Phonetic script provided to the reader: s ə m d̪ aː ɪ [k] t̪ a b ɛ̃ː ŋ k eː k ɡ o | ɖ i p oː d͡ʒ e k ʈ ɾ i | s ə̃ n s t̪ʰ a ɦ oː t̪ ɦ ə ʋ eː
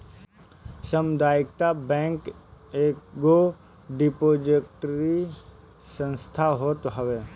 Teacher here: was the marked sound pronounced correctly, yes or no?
yes